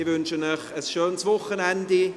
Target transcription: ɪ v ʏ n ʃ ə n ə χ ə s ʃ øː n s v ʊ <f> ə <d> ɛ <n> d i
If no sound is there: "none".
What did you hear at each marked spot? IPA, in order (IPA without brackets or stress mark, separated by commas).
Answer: χ, n, n